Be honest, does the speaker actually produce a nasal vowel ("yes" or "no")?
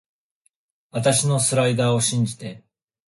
yes